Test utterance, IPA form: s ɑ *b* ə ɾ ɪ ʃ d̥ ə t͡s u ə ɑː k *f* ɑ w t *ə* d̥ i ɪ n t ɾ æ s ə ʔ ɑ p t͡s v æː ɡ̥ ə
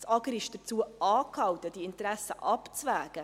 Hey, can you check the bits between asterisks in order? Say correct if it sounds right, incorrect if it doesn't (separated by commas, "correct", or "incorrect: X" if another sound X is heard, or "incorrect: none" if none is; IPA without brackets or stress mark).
incorrect: ɡ, incorrect: h, correct